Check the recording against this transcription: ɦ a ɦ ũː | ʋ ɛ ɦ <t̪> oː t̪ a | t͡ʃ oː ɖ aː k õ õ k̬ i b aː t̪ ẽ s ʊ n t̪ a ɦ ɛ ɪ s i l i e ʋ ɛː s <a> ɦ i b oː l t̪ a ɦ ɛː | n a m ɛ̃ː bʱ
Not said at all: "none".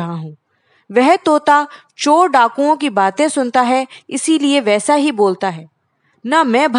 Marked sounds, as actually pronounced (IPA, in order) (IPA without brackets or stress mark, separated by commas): t̪, a